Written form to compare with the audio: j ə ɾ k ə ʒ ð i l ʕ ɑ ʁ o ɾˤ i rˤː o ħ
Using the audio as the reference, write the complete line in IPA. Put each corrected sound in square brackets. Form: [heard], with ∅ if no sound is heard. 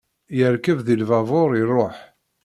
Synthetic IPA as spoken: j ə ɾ k ə [v] ð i l [v] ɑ [v] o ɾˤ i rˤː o ħ